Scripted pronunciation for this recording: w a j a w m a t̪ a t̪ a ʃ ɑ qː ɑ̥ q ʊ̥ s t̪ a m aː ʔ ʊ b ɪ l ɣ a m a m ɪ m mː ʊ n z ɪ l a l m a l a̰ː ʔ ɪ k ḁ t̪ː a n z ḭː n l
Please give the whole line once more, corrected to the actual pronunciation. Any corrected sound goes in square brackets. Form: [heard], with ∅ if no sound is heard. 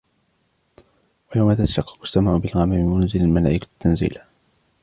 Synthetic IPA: w a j a w m a t̪ a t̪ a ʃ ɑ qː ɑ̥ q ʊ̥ s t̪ a m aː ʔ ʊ b ɪ l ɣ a m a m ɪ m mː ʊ n z ɪ l a l m a l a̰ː ʔ ɪ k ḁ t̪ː a n z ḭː [∅] l